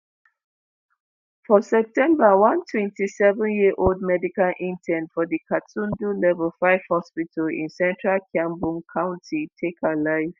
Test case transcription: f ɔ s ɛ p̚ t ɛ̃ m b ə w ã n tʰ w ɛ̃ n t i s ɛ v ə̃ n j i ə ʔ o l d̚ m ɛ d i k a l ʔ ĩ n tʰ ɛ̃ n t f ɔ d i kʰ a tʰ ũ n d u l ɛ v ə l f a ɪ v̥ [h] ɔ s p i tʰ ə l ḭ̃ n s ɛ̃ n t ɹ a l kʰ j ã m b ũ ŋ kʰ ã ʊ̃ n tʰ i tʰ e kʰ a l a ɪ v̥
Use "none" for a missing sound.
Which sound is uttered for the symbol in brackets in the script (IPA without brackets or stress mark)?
h